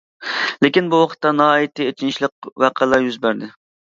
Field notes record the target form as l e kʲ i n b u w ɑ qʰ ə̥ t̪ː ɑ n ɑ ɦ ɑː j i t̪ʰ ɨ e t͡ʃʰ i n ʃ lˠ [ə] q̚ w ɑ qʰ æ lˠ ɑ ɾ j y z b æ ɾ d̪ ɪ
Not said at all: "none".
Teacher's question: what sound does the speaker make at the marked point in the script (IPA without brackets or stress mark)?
ə